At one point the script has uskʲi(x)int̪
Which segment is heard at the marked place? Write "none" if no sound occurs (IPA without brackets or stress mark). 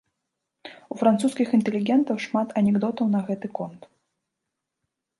x